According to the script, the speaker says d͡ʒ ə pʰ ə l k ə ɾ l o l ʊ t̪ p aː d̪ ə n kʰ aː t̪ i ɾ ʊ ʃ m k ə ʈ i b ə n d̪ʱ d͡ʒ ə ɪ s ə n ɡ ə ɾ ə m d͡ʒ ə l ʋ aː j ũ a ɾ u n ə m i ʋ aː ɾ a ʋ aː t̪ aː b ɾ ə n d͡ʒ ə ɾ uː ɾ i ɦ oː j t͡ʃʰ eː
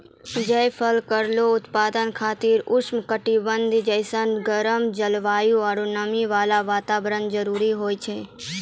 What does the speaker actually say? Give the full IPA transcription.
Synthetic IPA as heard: d͡ʒ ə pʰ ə l k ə ɾ l o ʊ t̪ p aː d̪ ə n kʰ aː t̪ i ɾ ʊ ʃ m k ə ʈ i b ə n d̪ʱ d͡ʒ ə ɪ s ə n ɡ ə ɾ ə m d͡ʒ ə l ʋ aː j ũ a ɾ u n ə m i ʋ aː l a ʋ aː t̪ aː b ɾ ə n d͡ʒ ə ɾ uː ɾ i ɦ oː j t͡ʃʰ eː